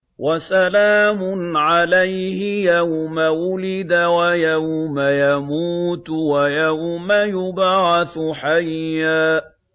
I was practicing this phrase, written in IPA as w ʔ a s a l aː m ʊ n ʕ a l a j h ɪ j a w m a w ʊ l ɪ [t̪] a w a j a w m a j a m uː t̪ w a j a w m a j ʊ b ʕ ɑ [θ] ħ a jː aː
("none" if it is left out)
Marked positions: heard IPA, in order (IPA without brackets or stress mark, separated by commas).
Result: d̪, θ